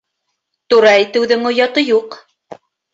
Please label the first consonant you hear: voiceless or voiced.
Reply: voiceless